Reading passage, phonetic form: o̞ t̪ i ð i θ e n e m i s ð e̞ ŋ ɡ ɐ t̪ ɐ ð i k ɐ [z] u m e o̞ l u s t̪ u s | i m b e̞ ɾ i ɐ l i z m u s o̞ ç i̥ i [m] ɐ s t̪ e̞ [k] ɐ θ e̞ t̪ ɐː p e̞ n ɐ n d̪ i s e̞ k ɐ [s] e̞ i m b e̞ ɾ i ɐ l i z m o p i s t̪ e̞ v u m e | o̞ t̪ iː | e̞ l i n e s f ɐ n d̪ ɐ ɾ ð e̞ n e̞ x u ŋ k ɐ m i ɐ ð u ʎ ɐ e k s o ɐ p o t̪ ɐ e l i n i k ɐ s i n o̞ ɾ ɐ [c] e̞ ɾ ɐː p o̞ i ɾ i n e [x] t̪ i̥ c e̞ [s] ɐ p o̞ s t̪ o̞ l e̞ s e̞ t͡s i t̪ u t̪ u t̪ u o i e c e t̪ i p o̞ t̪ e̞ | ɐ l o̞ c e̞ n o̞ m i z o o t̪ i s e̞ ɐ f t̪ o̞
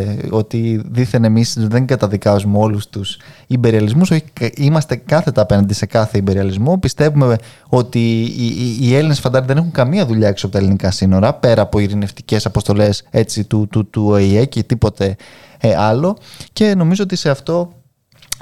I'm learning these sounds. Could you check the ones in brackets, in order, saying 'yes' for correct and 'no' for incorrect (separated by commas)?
yes, yes, yes, no, no, no, yes